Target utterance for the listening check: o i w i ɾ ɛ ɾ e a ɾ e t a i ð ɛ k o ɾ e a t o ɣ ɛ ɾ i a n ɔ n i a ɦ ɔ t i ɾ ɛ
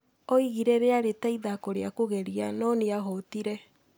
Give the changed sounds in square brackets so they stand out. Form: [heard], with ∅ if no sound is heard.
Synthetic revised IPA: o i [ɣ] i ɾ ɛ ɾ e a ɾ e t a i ð [a] k o ɾ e a [k] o ɣ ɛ ɾ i a n ɔ n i a ɦ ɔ t i ɾ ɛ